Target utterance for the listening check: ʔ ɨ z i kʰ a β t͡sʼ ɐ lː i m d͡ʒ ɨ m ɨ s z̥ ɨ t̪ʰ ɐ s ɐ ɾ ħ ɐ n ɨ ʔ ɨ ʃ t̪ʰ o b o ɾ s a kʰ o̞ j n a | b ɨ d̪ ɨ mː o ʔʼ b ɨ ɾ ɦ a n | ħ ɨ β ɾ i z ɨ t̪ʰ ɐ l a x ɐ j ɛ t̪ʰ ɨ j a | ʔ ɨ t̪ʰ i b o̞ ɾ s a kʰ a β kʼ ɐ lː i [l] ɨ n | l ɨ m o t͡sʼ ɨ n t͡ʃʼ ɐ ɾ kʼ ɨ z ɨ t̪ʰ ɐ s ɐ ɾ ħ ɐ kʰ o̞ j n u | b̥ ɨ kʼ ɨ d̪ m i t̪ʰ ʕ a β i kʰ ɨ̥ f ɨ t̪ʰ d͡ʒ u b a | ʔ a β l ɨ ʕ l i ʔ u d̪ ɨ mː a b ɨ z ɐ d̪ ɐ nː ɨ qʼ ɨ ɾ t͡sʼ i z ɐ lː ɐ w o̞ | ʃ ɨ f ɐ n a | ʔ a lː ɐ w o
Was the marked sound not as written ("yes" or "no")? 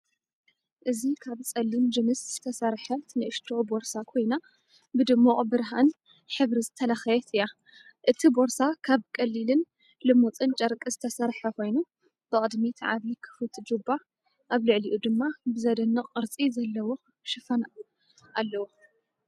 no